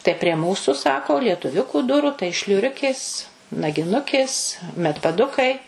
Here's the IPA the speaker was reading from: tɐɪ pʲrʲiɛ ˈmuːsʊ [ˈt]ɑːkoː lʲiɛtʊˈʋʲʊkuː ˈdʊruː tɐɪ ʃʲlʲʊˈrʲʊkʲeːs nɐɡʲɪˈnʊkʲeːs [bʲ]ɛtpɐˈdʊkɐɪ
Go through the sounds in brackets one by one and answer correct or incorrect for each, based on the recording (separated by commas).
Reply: incorrect, incorrect